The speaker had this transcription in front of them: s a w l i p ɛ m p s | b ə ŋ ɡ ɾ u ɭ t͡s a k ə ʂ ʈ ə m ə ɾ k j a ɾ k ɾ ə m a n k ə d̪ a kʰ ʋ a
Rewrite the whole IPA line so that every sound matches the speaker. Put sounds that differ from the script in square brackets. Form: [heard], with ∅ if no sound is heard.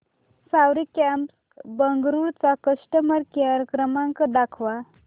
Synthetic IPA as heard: s a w [ɾ] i [k] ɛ m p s | b ə ŋ ɡ ɾ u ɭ t͡s a k ə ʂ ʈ ə m ə ɾ k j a ɾ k ɾ ə m a [ŋ] k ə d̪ a kʰ ʋ a